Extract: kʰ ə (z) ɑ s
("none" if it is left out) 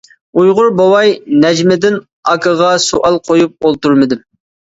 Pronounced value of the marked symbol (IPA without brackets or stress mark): ʁ